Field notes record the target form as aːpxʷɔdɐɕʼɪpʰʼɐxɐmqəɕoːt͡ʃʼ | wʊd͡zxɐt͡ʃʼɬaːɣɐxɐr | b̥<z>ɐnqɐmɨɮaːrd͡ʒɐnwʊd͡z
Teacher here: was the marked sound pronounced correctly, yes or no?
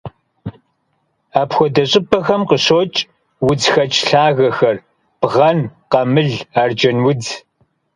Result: no